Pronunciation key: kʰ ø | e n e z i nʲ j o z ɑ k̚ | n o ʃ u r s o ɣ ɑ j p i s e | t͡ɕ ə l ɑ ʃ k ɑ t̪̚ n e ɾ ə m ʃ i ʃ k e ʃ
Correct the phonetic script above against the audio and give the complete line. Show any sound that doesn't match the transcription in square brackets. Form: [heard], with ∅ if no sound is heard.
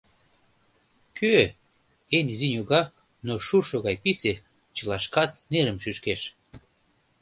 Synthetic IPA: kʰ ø | e n [i] z i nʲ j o [ɣ] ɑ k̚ | n o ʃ u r [ʃ] o ɣ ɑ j p i s e | t͡ɕ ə l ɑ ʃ k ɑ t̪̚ n e ɾ ə m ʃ [y] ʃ k e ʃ